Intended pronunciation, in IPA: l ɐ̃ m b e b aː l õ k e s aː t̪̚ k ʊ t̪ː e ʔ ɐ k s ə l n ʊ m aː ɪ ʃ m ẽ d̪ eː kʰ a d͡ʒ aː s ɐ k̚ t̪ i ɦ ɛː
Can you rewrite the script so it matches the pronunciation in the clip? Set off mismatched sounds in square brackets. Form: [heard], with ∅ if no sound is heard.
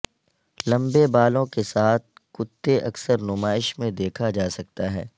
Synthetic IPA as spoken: l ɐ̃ m b e b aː l õ k e s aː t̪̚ k ʊ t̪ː e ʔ ɐ k s ə [ɾ] n ʊ m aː ɪ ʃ m ẽ d̪ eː kʰ a d͡ʒ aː s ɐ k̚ t̪ [a] ɦ ɛː